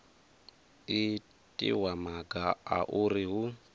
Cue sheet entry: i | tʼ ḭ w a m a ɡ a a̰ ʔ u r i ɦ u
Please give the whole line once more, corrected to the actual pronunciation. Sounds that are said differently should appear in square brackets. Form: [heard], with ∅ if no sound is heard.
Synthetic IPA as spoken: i | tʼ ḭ w a m a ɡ a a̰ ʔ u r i ɦ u